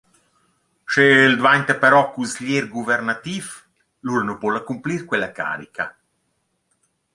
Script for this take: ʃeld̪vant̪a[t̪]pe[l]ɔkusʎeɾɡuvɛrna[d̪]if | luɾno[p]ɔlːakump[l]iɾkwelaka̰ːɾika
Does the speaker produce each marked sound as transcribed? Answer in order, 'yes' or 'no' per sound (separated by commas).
no, no, no, yes, yes